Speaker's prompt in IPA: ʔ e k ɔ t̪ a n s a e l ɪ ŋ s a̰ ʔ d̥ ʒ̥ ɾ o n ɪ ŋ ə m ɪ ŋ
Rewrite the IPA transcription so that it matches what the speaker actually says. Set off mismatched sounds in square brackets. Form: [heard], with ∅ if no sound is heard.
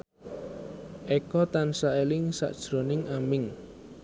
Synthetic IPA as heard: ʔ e k ɔ t̪ a n s a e l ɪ ŋ s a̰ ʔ d̥ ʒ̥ ɾ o n ɪ ŋ [a] m ɪ ŋ